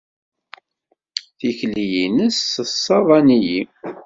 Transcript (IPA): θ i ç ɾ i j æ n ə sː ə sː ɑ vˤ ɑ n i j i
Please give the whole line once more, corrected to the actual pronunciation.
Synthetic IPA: θ i ç l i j i n ə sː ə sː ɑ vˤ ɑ n i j i